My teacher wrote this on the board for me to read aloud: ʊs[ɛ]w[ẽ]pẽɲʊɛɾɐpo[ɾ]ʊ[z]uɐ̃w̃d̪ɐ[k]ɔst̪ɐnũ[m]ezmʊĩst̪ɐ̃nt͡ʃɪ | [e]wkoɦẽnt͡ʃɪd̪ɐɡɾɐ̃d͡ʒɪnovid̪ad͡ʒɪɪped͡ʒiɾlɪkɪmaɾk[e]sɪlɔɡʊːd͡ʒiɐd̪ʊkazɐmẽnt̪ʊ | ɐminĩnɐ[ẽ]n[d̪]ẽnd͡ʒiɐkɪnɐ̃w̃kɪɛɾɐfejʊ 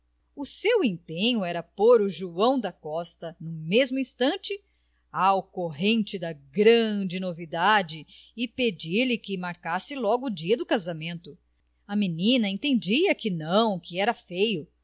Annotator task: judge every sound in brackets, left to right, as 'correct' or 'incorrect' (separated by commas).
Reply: incorrect, correct, correct, incorrect, correct, correct, incorrect, incorrect, correct, incorrect